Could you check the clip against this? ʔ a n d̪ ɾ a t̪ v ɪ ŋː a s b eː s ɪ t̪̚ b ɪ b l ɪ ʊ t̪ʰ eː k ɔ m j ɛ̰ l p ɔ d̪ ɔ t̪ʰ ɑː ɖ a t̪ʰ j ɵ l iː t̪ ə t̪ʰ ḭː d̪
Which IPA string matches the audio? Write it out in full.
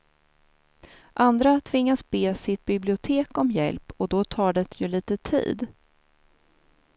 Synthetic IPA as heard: ʔ a n d̪ ɾ a t̪ʰ v ɪ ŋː a s b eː s ɪ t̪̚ b ɪ b l ɪ ʊ t̪ʰ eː k ɔ m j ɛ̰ l p ɔ d̪ ɔ t̪ʰ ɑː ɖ ɛ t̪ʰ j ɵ l iː t̪ ə t̪ʰ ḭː d̪